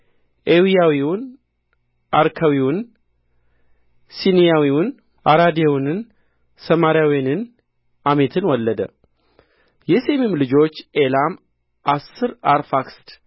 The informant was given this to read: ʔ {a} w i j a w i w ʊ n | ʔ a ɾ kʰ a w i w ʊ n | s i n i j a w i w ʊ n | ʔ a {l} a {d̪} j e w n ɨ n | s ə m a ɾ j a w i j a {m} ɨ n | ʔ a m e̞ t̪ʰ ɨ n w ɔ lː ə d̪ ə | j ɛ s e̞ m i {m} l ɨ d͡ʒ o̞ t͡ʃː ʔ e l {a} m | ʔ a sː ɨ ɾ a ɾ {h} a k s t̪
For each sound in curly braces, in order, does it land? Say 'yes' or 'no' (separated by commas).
no, no, yes, no, yes, yes, no